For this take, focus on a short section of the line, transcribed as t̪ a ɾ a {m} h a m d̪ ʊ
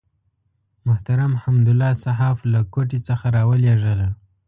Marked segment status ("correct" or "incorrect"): correct